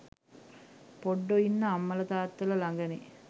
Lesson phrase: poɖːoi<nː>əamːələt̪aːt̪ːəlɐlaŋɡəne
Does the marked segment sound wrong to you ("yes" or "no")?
no